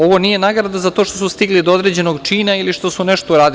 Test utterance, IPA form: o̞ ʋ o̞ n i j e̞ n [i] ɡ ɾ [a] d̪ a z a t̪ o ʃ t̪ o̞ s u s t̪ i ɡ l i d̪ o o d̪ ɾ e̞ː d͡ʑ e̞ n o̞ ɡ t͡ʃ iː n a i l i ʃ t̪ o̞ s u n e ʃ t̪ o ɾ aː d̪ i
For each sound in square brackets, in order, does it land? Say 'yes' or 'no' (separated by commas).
no, yes